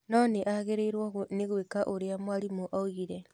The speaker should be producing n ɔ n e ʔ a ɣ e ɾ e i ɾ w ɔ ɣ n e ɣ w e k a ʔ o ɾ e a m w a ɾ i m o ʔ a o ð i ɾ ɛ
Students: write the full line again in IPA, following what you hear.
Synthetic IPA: n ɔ n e ʔ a ɣ e ɾ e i ɾ w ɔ ɣ n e ɣ w e k a ʔ o ɾ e a m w a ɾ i m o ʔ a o ɣ i ɾ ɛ